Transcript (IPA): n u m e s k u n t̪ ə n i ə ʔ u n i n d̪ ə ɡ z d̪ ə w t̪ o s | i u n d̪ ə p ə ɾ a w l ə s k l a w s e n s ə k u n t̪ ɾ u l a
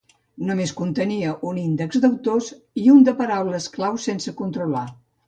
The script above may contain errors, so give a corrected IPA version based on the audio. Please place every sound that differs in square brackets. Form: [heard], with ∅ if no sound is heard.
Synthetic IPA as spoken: n u m e s k u n t̪ ə n i ə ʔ u n i n d̪ ə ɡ z d̪ ə w t̪ o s | i u n d̪ ə p ə ɾ a w l ə s k l a w s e n s ə k u n t̪ ɾ u l a